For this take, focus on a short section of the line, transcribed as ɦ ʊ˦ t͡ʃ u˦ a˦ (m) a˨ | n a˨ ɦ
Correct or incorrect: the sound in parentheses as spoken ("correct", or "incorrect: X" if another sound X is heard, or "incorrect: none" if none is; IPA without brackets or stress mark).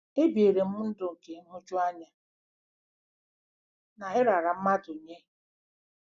incorrect: ɲ